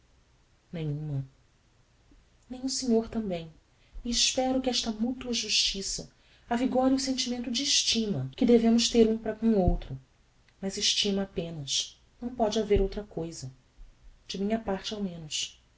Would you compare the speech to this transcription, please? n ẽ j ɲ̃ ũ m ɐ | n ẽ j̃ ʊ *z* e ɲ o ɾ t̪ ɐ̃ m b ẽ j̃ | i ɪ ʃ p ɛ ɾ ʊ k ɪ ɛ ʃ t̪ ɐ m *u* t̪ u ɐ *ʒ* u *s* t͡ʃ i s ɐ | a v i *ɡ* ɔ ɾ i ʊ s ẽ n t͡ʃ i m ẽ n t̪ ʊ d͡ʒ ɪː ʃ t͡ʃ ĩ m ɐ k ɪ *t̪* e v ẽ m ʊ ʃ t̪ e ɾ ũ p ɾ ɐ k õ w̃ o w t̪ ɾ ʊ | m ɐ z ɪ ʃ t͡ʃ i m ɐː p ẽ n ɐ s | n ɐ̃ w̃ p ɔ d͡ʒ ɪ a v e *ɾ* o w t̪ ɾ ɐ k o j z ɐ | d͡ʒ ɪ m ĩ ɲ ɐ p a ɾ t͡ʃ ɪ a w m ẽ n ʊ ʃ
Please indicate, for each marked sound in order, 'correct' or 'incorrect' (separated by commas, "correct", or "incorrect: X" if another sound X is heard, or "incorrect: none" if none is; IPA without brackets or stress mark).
incorrect: s, correct, correct, incorrect: ʃ, correct, incorrect: d̪, correct